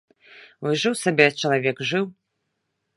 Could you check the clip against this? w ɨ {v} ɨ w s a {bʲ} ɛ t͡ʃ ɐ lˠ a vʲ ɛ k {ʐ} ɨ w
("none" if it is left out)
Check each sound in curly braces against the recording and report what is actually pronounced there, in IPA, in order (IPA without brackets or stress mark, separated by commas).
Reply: ʐ, bʲ, ʐ